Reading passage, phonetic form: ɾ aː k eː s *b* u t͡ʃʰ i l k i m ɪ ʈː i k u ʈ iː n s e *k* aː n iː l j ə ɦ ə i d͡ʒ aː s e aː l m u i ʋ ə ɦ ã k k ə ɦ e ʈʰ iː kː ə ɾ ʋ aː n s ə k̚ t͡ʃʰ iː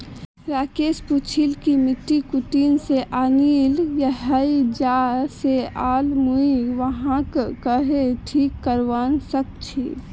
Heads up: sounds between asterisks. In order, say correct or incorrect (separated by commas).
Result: incorrect, incorrect